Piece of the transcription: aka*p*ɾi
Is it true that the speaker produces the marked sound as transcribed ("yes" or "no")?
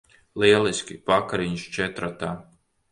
no